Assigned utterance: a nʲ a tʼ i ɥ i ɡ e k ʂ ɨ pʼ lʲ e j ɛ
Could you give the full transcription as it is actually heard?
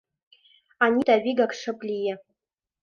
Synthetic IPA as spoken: a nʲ i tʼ a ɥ i ɡ a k ʂ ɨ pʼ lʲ i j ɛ